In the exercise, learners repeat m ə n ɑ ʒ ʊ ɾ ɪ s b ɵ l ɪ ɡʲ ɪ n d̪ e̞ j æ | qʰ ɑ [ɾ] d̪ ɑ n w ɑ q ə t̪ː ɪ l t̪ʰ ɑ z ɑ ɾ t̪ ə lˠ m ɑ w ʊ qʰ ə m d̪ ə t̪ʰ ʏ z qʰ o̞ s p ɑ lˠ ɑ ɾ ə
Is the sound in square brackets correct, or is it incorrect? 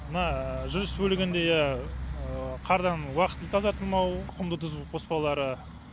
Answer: correct